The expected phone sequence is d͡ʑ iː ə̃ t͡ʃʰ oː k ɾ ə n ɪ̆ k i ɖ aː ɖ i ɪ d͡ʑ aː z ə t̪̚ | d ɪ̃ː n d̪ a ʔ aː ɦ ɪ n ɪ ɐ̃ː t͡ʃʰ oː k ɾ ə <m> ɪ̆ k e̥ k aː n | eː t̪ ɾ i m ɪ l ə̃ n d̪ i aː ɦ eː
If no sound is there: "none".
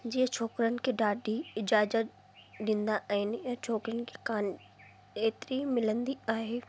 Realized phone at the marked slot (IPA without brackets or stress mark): n